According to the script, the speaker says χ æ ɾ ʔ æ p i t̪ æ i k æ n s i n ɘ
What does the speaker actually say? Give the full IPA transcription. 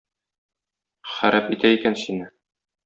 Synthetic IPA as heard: χ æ ɾ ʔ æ p i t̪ æ i k æ n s i n ɘ